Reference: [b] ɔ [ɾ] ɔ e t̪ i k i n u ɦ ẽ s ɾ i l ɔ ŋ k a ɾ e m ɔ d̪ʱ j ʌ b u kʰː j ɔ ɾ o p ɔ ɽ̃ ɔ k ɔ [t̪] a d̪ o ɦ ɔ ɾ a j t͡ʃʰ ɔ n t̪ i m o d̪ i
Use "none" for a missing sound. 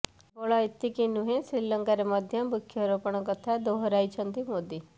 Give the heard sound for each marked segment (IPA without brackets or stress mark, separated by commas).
b, ɭ, t̪ʰ